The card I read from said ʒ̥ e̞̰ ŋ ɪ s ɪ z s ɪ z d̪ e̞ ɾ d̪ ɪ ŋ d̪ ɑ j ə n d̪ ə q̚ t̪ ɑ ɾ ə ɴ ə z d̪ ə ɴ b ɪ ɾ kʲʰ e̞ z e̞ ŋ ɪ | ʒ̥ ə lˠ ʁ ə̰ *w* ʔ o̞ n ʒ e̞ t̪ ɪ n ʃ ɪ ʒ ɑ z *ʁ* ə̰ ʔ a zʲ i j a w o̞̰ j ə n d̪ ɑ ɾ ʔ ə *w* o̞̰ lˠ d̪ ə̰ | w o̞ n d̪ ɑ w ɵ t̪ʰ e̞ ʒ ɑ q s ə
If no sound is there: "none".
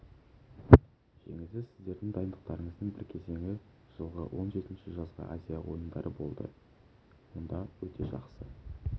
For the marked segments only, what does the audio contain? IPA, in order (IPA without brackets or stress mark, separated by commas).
w, ʁ, b